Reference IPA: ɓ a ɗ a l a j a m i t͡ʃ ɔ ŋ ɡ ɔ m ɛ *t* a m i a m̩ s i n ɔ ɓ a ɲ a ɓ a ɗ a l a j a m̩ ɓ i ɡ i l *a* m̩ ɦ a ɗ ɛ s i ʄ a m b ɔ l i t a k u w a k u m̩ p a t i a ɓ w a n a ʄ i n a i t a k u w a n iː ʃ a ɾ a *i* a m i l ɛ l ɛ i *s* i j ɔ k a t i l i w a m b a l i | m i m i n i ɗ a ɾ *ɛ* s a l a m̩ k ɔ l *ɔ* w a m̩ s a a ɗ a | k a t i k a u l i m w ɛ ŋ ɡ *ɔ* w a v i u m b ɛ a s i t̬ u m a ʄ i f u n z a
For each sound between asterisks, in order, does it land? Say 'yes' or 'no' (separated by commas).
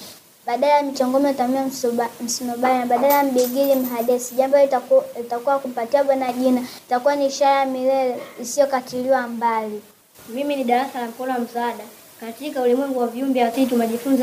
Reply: yes, no, no, yes, no, yes, no